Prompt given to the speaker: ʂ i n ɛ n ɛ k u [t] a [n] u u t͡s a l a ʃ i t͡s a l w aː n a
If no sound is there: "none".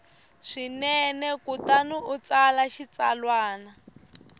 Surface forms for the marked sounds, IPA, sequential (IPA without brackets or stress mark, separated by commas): t, n